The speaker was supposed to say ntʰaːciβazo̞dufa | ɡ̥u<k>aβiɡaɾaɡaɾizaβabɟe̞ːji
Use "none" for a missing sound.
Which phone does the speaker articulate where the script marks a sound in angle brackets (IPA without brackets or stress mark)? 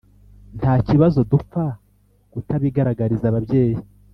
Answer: t